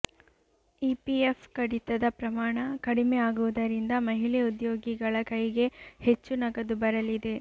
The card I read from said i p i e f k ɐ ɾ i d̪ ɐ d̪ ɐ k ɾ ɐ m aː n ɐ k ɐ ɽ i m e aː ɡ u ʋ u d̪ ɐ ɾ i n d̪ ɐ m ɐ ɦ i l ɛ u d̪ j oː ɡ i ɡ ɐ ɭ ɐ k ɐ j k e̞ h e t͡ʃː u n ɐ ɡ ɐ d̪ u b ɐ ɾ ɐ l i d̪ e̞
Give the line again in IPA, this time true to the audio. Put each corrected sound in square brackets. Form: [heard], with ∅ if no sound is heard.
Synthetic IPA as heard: i p i e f k ɐ [ɽ] i [t̪] ɐ d̪ ɐ [p] ɾ ɐ m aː [ɳ] ɐ k ɐ ɽ i m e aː ɡ u ʋ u d̪ ɐ ɾ i n d̪ ɐ m ɐ ɦ i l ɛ u d̪ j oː ɡ i ɡ ɐ ɭ ɐ k ɐ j [ɡ] e̞ h e t͡ʃː u n ɐ ɡ ɐ d̪ u b ɐ ɾ ɐ l i d̪ e̞